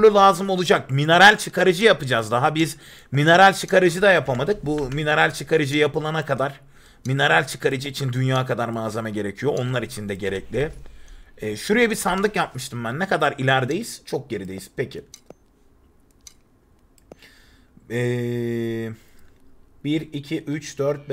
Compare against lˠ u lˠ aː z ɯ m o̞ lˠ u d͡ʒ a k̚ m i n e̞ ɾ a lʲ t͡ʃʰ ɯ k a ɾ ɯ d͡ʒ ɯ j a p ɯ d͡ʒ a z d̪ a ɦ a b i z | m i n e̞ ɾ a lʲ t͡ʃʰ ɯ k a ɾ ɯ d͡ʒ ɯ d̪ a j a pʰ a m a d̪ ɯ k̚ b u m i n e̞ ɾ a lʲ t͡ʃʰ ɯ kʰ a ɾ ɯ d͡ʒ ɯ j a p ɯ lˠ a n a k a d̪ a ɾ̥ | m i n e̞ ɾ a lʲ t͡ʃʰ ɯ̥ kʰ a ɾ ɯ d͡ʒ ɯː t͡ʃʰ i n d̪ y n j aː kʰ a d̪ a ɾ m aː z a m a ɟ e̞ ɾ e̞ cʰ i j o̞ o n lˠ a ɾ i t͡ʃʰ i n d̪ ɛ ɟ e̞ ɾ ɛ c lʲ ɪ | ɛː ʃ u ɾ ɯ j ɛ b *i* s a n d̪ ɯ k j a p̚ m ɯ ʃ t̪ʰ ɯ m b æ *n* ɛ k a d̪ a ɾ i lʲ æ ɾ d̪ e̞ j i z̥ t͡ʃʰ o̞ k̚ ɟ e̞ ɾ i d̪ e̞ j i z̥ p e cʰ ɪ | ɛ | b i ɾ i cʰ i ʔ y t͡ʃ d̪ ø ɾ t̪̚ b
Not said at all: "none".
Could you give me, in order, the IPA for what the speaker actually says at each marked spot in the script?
i, nː

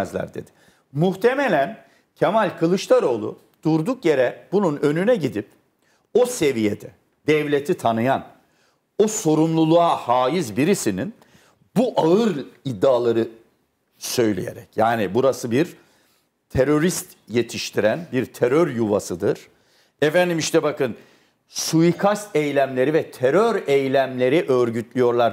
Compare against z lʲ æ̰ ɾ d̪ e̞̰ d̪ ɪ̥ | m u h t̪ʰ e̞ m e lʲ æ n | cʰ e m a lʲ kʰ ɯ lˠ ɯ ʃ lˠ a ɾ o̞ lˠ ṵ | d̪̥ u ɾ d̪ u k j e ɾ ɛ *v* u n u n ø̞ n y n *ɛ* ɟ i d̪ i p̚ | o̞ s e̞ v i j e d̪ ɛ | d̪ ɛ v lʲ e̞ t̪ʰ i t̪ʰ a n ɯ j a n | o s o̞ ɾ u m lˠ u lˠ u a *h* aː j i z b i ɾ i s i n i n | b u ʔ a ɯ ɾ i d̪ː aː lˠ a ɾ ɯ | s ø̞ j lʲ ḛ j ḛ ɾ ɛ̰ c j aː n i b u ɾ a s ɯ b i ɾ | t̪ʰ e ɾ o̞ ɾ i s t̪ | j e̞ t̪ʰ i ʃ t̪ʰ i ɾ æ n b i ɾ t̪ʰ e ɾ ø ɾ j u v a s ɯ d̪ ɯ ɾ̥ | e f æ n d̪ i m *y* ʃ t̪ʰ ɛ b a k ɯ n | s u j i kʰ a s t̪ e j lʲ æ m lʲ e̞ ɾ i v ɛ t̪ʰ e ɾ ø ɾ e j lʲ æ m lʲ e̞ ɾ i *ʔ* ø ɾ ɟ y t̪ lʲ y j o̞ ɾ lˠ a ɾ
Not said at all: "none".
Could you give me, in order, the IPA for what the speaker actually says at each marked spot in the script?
b, ɛ, h, i, ʔ

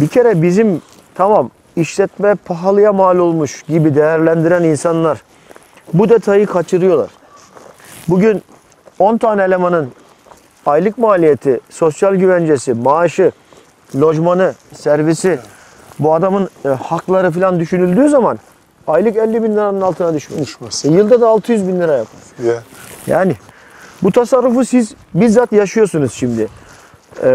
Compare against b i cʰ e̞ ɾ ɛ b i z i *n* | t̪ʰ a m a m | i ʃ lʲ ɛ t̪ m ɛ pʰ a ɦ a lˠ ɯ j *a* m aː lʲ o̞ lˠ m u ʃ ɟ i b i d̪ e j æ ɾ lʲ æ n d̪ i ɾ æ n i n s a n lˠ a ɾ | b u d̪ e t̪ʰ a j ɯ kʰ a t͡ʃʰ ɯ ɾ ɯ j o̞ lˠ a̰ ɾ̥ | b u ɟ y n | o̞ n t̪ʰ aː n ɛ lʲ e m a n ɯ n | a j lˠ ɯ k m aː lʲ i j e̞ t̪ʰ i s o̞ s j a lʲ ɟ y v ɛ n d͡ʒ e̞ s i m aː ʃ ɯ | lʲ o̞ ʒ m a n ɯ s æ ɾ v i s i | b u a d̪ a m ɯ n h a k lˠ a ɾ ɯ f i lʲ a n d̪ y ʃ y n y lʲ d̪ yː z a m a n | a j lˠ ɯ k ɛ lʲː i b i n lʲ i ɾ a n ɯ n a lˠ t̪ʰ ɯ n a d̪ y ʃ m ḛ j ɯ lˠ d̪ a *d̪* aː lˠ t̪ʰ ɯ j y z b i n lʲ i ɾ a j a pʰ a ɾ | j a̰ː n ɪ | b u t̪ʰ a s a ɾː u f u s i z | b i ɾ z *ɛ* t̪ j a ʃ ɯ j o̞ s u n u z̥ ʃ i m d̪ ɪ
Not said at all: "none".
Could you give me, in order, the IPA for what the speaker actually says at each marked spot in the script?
m, a, d̪, a

